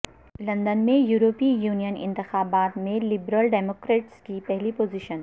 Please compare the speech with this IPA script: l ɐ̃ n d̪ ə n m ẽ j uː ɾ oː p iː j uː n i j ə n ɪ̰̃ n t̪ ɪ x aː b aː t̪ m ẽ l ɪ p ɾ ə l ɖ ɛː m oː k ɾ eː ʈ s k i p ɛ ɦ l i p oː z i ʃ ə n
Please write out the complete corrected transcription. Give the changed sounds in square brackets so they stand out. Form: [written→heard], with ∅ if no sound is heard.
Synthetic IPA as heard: l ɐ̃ n d̪ ə n m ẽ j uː ɾ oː p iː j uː n i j ə n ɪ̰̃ n t̪ ɪ x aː b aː t̪ m ẽ l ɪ [p→b] ɾ ə l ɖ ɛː m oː k ɾ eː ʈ s k i p ɛ ɦ l i p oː z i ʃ ə n